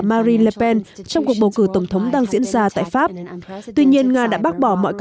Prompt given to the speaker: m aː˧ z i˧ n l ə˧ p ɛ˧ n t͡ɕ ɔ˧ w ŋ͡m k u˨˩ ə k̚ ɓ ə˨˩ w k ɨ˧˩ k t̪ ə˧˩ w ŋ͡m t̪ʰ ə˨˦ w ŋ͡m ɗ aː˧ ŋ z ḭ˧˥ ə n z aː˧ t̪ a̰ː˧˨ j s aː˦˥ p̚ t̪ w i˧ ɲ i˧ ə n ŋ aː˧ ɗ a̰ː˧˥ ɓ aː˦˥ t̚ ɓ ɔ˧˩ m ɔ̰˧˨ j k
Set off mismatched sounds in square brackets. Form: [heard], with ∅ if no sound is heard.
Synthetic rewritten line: m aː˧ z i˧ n l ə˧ p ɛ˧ n t͡ɕ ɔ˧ w ŋ͡m k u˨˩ ə k̚ ɓ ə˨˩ w k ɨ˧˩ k t̪ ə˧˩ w ŋ͡m t̪ʰ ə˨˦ w ŋ͡m ɗ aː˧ ŋ z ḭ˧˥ ə n z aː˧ t̪ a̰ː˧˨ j [f] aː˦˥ p̚ t̪ w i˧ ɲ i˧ ə n ŋ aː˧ ɗ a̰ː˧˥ ɓ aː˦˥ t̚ ɓ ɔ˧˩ m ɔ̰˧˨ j k